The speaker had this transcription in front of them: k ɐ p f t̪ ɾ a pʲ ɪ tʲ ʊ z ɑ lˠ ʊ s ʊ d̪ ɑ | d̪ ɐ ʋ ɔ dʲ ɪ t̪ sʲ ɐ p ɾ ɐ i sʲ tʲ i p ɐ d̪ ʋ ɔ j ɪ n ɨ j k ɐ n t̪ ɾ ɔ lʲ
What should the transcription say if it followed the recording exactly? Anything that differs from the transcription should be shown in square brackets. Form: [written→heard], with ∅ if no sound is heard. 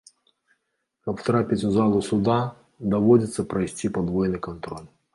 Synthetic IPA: k ɐ p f t̪ ɾ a pʲ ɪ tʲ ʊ z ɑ lˠ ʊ s ʊ d̪ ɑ | d̪ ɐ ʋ ɔ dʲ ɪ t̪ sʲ ɐ p ɾ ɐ [i→j] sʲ tʲ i p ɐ d̪ ʋ ɔ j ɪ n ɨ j k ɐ n t̪ ɾ ɔ lʲ